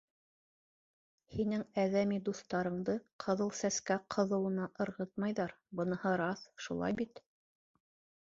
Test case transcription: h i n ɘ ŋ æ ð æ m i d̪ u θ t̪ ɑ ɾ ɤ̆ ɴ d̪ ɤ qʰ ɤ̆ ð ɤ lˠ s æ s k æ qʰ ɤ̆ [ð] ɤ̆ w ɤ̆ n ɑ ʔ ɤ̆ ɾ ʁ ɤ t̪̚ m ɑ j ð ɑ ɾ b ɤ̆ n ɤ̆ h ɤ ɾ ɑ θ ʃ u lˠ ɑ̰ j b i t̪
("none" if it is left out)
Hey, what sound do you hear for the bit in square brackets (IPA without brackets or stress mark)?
ð